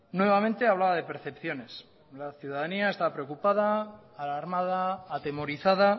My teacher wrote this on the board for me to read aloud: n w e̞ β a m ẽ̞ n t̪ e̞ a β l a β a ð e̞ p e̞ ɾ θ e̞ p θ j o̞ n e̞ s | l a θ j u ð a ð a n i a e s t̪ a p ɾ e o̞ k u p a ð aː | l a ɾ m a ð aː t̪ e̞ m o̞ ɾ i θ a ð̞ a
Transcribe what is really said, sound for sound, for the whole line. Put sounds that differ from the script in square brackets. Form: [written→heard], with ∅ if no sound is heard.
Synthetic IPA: n w e̞ β a m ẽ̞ n t̪ e̞ a β l a β a ð e̞ p e̞ ɾ θ e̞ p θ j o̞ n e̞ s | l a θ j u ð a ð a n i a e s t̪ a p ɾ e o̞ k u p a ð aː | l a ɾ m a ð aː t̪ e̞ m o̞ ɾ i θ a ð̞ a